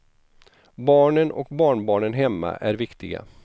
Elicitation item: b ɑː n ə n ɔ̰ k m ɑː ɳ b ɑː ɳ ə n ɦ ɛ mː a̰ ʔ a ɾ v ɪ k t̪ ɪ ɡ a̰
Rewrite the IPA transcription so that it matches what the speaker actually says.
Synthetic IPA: b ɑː ɳ ə n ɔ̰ k b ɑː ɳ b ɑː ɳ ə n ɦ ɛ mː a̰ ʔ æ ɾ v ɪ k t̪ ɪ ɡ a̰